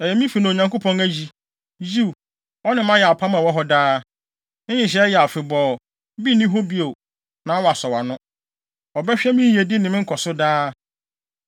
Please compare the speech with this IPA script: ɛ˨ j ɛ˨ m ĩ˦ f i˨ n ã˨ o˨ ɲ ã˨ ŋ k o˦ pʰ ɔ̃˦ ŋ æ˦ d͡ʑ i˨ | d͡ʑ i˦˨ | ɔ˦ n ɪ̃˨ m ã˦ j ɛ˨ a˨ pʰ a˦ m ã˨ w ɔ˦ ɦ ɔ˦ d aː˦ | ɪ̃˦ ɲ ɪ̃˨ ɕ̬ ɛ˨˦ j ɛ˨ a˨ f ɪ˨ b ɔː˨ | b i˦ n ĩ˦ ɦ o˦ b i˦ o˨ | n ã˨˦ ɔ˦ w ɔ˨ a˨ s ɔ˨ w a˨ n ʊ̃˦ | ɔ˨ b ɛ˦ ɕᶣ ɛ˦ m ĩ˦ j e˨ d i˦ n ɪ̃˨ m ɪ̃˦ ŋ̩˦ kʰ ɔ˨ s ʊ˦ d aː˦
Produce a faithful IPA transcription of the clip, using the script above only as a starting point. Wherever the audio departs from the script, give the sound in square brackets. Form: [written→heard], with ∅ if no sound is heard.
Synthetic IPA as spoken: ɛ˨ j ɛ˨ m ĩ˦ f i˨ n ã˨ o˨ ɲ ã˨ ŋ k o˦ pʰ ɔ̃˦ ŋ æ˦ d͡ʑ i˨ | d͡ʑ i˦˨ | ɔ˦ n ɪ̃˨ m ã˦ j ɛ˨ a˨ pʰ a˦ m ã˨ w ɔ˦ ɦ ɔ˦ d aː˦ | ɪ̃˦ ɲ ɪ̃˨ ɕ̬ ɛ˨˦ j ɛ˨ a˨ f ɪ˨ b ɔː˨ | b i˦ n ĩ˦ ɦ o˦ b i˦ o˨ | n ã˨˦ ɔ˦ w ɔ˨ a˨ s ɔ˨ w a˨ n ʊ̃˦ | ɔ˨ b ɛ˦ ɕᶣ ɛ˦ m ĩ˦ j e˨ d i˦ n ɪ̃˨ m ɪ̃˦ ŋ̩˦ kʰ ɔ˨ s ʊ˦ d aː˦